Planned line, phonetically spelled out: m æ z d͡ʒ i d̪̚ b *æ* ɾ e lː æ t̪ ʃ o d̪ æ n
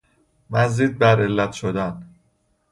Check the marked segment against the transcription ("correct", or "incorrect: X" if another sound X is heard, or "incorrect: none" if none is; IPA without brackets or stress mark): correct